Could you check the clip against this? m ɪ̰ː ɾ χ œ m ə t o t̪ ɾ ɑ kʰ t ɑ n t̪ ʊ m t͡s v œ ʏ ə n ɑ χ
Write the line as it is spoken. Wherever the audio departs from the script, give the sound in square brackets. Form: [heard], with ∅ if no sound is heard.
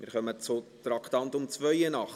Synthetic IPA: m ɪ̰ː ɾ χ œ m ə [t͡s] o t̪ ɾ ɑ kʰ t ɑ n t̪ ʊ m t͡s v œ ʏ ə n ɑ χ